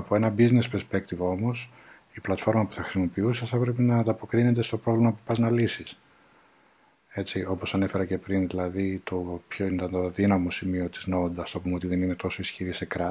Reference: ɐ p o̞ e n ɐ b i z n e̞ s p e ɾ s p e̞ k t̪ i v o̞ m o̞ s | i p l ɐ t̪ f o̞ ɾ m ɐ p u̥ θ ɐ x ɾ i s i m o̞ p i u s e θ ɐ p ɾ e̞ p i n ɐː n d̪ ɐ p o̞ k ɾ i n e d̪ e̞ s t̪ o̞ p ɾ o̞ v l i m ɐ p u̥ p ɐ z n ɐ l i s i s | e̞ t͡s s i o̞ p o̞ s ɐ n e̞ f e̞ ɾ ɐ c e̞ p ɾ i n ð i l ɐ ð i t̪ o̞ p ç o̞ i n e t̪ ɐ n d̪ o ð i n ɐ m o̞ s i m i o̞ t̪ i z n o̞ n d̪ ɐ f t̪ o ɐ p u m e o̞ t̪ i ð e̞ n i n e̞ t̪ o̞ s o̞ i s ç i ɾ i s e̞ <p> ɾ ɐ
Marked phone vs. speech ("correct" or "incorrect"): incorrect